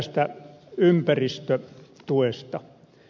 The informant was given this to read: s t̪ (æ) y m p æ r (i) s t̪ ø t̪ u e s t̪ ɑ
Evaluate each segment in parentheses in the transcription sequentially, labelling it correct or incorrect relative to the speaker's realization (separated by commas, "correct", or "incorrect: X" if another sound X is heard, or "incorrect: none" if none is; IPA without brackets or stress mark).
correct, correct